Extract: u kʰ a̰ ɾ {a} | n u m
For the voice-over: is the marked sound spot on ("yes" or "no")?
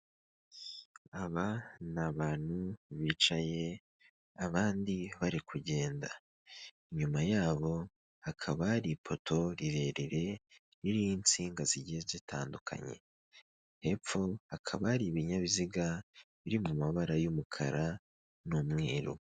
yes